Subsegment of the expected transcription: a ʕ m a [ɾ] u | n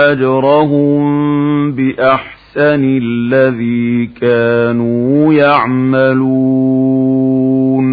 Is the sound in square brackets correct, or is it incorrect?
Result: incorrect